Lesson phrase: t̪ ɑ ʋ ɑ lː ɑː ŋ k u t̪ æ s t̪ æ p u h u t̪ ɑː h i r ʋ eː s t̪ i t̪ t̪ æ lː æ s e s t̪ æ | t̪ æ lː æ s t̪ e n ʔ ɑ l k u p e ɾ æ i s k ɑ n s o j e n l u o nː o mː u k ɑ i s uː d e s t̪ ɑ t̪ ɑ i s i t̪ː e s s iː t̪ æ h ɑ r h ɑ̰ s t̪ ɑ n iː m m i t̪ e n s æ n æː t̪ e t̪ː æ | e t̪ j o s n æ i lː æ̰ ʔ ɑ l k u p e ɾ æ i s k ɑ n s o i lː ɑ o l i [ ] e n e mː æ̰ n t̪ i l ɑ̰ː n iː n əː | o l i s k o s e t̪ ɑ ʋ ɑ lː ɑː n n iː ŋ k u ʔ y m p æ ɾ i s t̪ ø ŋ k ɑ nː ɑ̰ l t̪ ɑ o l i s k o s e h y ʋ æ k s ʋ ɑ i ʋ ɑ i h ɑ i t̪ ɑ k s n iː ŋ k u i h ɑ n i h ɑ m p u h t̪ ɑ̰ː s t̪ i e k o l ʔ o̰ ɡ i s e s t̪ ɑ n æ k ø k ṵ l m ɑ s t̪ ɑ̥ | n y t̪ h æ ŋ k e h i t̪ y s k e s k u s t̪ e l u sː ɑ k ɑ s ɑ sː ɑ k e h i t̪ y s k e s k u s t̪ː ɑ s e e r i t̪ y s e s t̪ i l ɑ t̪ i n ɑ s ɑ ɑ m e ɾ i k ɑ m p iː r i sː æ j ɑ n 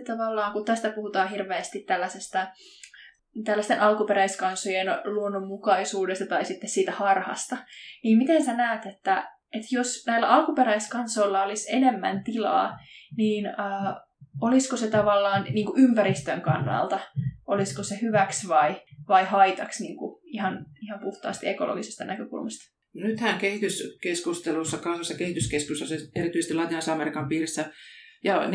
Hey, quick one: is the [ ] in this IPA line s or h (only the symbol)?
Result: s